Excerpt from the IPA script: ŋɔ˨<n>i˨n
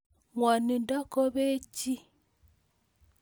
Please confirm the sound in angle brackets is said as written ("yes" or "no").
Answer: yes